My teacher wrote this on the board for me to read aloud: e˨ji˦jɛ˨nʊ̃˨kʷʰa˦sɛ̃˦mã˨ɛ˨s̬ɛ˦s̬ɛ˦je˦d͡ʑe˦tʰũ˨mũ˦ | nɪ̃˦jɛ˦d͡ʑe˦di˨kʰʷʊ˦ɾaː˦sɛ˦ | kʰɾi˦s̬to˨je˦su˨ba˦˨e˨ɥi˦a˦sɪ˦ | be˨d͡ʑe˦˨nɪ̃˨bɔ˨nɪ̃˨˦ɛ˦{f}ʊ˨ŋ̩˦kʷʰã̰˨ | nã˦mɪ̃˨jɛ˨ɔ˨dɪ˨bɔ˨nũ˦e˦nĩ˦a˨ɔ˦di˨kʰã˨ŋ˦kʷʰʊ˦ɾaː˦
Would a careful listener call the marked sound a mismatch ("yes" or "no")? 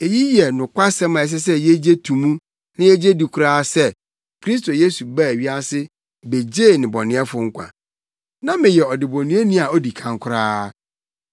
no